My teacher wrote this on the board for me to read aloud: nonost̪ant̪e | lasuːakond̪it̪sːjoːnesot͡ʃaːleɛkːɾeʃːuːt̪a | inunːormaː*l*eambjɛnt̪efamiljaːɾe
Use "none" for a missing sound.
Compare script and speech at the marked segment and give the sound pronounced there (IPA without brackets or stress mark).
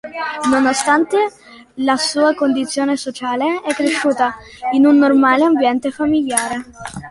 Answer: l